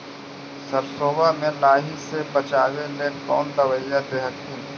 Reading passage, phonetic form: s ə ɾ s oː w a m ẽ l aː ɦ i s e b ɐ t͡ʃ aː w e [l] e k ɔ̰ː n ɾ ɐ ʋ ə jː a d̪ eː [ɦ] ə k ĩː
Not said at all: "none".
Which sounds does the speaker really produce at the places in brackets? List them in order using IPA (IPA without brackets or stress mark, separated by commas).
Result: l, ɦ